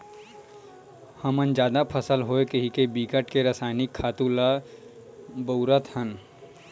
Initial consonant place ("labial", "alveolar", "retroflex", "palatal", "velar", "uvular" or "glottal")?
glottal